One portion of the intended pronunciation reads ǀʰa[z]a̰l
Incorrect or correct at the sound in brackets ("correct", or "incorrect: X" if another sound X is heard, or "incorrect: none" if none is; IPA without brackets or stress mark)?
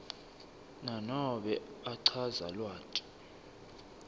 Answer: correct